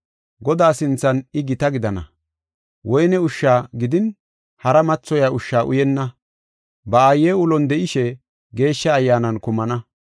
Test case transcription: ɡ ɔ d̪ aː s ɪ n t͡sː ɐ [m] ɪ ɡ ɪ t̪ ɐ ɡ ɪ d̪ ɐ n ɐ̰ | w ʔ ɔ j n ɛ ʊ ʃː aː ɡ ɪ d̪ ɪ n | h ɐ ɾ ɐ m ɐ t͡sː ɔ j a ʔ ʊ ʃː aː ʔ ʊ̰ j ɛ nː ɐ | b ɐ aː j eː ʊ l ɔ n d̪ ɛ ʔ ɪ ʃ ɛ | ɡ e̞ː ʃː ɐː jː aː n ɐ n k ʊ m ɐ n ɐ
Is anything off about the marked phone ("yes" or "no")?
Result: yes